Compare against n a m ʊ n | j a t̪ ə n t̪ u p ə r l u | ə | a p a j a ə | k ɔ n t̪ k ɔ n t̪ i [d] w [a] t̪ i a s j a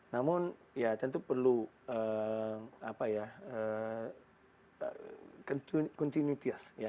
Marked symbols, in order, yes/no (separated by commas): no, no